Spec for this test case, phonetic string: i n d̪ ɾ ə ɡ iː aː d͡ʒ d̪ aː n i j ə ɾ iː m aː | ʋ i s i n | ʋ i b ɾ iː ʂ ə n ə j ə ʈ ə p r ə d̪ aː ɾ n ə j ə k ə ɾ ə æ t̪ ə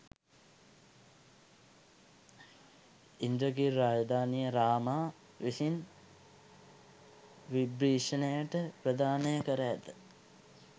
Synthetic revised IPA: i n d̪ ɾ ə ɡ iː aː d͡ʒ d̪ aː n i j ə ɾ aː m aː | ʋ i s i n | ʋ i b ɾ iː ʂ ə n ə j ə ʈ ə p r ə d̪ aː n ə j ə k ə ɾ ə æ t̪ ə

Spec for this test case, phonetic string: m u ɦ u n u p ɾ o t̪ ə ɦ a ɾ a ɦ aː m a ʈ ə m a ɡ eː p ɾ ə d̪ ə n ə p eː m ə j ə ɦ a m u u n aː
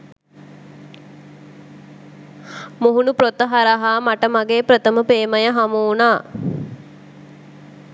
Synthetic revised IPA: m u ɦ u n u p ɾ o t̪ ə ɦ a ɾ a ɦ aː m a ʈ ə m a ɡ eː p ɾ ə t̪ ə m ə p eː m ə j ə ɦ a m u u n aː

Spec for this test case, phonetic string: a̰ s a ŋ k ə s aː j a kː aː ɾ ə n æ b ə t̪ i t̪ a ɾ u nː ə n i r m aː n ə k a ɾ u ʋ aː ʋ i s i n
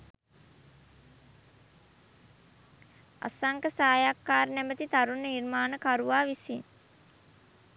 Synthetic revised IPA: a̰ s a ŋ k ə s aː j a kː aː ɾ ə n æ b ə t̪ i t̪ a ɾ u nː ə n i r m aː n ə k a ɾ u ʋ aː ʋ i s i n

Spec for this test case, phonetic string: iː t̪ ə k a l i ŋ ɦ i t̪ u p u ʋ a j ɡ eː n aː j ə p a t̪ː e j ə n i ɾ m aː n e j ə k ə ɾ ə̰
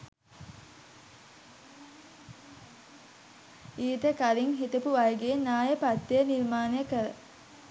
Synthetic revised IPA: iː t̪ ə k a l i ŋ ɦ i t̪ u p u ʋ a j ɡ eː n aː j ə p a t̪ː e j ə n i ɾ m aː n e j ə k ə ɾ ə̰

